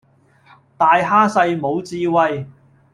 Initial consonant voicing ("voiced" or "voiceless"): voiceless